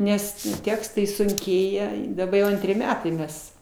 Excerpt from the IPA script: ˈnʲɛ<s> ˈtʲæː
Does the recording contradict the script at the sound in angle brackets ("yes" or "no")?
no